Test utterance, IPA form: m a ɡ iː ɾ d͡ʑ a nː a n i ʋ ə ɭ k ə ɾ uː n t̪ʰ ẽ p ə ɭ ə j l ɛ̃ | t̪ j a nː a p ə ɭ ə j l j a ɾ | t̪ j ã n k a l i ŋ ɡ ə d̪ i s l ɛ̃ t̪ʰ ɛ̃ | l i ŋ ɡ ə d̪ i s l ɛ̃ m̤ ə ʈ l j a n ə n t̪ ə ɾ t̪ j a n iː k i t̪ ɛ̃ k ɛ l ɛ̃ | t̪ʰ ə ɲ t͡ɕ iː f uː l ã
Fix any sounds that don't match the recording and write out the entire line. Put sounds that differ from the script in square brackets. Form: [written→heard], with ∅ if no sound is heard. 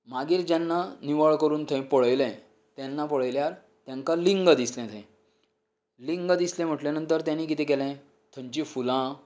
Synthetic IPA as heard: m a ɡ iː ɾ d͡ʑ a nː a n i ʋ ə ɭ k ə ɾ uː n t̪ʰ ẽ p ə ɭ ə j l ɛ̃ | t̪ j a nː a p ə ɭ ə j l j a ɾ | t̪ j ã [n→ŋ] k a l i ŋ ɡ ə d̪ i s l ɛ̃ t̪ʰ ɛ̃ | l i ŋ ɡ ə d̪ i s l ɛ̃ m̤ ə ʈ l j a n ə n t̪ ə ɾ t̪ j a n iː k i t̪ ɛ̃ k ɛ l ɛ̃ | t̪ʰ ə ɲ t͡ɕ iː f [uː→u] l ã

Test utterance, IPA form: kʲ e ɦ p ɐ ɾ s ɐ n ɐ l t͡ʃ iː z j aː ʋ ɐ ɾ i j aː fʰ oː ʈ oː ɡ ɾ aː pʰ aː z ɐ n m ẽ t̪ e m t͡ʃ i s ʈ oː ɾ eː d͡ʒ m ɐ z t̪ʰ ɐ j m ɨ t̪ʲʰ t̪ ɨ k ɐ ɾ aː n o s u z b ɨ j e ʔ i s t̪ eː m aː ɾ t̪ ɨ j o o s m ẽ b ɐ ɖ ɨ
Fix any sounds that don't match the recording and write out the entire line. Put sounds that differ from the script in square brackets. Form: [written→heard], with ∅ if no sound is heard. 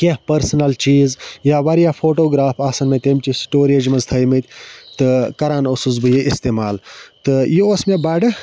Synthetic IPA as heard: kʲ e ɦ p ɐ ɾ s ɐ n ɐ l t͡ʃ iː z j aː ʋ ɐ ɾ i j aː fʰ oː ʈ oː ɡ ɾ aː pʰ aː [z→s] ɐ n m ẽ t̪ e m t͡ʃ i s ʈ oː ɾ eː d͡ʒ m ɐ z t̪ʰ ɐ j m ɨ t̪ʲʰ t̪ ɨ k ɐ ɾ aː n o s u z b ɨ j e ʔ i s t̪ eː m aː [ɾ→l] t̪ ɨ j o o s m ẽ b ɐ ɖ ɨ

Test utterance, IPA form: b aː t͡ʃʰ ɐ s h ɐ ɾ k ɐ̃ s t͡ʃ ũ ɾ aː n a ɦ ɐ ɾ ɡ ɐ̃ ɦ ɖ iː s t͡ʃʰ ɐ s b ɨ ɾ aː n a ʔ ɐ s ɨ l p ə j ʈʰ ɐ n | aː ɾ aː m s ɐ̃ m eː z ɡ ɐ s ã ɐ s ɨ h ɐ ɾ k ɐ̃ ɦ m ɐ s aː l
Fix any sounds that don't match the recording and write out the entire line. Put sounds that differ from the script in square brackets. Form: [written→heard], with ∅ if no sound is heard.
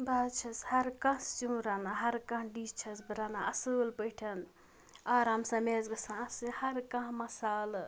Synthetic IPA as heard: b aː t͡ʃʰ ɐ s h ɐ ɾ k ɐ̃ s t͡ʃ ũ ɾ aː n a ɦ ɐ ɾ [ɡ→k] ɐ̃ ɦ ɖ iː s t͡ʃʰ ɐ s b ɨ ɾ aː n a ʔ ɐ s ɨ l p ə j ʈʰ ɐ n | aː ɾ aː m s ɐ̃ m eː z ɡ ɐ s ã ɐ s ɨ h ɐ ɾ k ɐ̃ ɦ m ɐ s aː l

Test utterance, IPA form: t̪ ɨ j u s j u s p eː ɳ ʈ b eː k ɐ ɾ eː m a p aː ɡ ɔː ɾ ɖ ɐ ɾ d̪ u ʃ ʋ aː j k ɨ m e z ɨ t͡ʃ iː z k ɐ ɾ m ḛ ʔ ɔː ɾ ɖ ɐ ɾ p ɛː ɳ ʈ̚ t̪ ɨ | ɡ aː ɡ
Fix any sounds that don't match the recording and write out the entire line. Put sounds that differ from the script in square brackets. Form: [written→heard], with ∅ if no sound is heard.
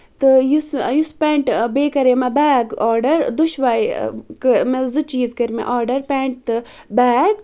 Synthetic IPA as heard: t̪ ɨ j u s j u s p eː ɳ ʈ b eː k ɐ ɾ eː m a [p→b] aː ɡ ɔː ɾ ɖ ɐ ɾ d̪ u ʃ ʋ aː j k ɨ m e z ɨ t͡ʃ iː z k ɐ ɾ m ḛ ʔ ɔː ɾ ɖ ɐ ɾ p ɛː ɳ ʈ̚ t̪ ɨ | [ɡ→b] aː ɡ

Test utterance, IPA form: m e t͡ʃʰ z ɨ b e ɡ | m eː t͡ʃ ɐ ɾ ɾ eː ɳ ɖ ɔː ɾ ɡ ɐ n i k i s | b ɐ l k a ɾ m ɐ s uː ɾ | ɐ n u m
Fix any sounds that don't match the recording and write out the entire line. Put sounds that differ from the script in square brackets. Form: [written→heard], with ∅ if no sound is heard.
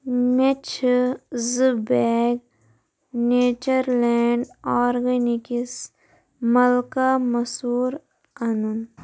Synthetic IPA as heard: m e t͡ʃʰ z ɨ b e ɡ | [m→n] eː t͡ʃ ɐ ɾ [ɾ→l] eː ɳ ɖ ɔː ɾ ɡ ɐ n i k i s | [b→m] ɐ l k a [ɾ→∅] m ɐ s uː ɾ | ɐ n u [m→n]

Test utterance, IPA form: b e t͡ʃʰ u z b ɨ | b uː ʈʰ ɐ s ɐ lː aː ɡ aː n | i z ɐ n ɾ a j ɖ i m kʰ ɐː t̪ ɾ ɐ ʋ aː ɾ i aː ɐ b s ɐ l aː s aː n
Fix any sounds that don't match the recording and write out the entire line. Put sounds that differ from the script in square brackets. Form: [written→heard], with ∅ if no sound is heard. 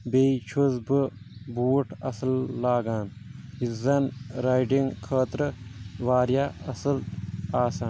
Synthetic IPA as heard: b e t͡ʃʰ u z b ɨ | b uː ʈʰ ɐ s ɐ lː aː ɡ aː n | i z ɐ n ɾ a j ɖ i [m→ŋ] kʰ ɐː t̪ ɾ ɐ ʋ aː ɾ [i→j] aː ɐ [b→∅] s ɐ l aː s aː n

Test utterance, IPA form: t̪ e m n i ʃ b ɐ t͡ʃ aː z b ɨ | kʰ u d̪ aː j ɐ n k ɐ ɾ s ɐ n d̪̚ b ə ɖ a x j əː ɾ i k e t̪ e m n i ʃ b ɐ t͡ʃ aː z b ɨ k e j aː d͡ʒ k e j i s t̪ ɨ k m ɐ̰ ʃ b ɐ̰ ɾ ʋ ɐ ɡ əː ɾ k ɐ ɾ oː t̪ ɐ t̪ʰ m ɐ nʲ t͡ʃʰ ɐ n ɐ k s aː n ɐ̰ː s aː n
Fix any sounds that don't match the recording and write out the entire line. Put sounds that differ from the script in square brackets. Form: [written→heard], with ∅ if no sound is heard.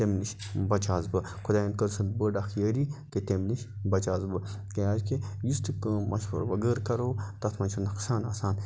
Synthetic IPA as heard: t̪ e m n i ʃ b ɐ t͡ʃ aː z b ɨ | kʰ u d̪ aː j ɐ n k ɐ ɾ s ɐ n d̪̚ b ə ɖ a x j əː ɾ i k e t̪ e m n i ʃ b ɐ t͡ʃ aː z b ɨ k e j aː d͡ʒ k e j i s t̪ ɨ k m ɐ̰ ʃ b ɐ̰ ɾ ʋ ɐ ɡ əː ɾ k ɐ ɾ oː t̪ ɐ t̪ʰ m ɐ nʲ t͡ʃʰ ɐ n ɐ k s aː n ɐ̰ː s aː n

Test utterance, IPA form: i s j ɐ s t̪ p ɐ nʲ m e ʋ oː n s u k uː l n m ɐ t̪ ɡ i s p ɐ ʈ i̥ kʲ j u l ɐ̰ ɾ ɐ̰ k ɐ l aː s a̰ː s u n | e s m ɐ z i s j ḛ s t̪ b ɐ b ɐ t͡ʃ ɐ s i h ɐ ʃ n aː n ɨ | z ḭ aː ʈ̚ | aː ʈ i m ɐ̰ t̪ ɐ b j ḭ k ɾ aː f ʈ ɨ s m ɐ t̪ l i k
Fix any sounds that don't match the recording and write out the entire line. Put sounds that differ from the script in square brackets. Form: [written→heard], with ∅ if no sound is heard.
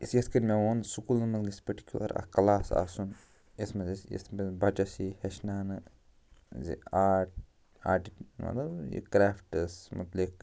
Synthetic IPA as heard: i s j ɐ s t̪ [p→k] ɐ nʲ m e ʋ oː n s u k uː l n m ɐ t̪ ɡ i s p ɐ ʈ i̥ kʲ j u l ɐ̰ ɾ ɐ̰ k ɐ l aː s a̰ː s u n | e s m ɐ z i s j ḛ s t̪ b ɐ b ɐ t͡ʃ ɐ s i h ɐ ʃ n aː n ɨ | z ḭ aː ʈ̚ | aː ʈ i m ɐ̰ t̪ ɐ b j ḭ k ɾ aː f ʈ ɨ s m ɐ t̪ l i k

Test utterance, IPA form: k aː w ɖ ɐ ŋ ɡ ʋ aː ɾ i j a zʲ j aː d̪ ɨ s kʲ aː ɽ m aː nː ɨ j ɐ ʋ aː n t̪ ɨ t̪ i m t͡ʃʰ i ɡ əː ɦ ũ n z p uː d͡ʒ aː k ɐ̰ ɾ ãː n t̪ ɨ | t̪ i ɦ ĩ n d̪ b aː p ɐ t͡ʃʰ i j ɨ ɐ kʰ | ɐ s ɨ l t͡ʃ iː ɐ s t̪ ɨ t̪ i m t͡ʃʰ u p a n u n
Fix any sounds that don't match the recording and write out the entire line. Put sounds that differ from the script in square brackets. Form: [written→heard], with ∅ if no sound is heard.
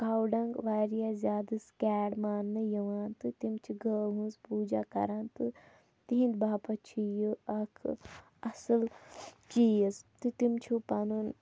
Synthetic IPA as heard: k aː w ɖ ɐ ŋ ɡ ʋ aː ɾ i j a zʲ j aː d̪ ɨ s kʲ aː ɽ m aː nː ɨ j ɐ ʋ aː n t̪ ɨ t̪ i m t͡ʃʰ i ɡ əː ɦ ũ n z p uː d͡ʒ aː k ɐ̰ ɾ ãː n t̪ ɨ | t̪ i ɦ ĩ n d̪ b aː p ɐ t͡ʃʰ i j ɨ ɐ kʰ | ɐ s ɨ l t͡ʃ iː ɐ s t̪ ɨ t̪ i m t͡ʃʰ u p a n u n

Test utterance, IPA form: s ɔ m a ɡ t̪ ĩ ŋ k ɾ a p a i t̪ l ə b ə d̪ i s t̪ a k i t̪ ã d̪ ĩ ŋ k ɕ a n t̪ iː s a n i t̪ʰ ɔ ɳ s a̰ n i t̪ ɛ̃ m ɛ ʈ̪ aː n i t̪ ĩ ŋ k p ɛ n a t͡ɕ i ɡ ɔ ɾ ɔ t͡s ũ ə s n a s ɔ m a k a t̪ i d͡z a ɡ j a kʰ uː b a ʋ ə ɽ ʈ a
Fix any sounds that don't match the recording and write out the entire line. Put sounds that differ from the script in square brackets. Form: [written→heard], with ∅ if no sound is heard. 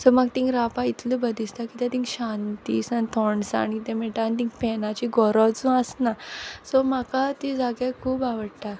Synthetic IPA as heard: s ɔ m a ɡ t̪ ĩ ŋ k ɾ a p a i t̪ l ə b ə d̪ i s t̪ a k i t̪ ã [d̪→t̪] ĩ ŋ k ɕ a n t̪ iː s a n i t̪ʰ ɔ ɳ s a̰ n i t̪ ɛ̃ m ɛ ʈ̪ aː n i t̪ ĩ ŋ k p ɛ n a t͡ɕ i ɡ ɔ ɾ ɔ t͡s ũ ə s n a s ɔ m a k a t̪ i d͡z a ɡ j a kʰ uː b a ʋ ə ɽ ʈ a

